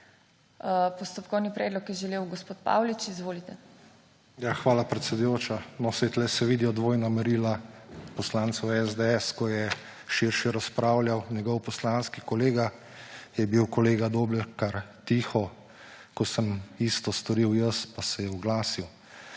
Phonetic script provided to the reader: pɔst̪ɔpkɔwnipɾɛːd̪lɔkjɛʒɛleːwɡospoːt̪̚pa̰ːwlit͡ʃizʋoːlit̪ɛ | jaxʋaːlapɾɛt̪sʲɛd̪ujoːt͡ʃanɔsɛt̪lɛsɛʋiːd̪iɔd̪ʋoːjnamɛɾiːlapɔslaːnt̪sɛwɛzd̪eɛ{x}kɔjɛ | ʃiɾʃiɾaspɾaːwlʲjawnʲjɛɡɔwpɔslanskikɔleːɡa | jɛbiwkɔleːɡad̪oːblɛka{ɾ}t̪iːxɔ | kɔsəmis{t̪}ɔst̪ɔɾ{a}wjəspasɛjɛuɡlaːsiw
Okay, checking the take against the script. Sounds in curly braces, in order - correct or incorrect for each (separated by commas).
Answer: incorrect, correct, correct, incorrect